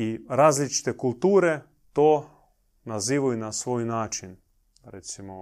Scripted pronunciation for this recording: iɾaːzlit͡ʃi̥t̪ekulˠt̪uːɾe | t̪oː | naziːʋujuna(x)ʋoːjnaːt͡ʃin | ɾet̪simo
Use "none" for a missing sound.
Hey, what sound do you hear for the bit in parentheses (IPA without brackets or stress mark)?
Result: s